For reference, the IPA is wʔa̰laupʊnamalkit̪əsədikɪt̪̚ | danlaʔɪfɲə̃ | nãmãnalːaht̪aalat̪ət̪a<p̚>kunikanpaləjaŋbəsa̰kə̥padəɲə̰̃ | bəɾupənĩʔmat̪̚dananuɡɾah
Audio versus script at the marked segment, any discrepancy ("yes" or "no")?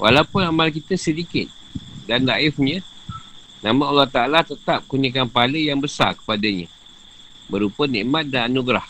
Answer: no